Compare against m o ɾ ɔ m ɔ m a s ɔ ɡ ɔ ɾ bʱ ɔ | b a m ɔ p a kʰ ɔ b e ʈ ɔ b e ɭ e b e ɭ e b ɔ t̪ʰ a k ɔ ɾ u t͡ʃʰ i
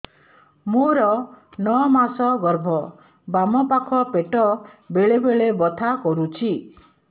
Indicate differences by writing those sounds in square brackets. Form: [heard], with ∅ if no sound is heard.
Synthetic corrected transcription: m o ɾ ɔ [n] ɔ m a s ɔ ɡ ɔ ɾ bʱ ɔ | b a m ɔ p a kʰ ɔ [p] e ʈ ɔ b e ɭ e b e ɭ e b ɔ t̪ʰ a k ɔ ɾ u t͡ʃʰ i